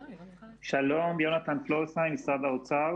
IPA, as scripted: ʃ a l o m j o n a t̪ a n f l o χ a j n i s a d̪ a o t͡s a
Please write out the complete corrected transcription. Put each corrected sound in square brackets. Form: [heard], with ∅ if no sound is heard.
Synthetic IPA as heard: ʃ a l o m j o n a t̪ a n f l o [s] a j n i s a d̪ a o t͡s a